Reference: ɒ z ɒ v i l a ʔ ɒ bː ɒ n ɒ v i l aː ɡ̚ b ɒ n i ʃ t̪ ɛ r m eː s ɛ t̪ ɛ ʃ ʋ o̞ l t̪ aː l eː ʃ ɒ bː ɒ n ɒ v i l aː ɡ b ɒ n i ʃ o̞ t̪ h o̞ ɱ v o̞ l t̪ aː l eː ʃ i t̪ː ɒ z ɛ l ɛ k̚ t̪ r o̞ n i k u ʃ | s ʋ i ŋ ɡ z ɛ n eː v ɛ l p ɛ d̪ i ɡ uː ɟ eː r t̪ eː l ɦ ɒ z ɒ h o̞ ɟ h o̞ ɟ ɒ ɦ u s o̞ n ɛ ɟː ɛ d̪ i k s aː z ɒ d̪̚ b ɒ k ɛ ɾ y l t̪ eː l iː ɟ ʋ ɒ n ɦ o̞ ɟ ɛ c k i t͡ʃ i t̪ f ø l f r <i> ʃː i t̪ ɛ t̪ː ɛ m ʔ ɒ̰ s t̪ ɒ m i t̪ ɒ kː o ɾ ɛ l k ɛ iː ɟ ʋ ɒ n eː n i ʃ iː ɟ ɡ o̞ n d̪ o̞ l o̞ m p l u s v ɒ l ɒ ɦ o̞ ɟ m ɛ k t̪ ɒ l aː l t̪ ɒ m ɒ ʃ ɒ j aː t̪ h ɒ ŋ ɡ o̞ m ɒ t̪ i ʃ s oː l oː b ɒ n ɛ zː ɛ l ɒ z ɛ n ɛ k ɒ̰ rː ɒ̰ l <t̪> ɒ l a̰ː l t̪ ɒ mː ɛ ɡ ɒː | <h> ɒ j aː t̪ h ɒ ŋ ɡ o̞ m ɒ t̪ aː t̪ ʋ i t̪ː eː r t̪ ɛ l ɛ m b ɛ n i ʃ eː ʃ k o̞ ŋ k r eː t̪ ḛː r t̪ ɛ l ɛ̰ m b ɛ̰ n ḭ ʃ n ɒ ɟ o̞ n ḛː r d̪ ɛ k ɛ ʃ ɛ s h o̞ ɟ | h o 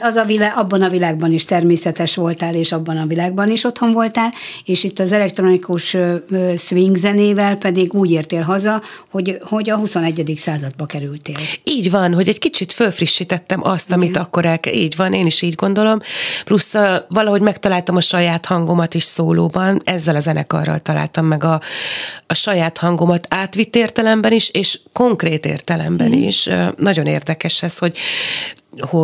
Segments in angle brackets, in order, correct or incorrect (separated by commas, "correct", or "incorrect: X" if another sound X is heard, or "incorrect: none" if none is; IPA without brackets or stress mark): correct, correct, incorrect: ʃ